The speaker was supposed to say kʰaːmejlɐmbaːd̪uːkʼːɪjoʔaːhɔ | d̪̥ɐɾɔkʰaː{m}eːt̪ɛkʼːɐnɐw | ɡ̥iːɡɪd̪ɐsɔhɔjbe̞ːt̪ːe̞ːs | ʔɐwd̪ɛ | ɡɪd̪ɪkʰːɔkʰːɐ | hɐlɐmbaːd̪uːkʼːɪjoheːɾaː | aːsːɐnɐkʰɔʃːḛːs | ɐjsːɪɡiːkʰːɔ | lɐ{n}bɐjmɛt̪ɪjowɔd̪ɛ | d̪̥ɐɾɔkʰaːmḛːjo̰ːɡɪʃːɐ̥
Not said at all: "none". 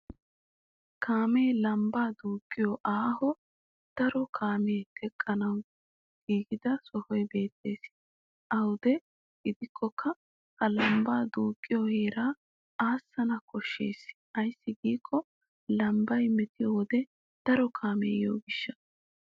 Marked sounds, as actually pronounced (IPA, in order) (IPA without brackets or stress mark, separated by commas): m, m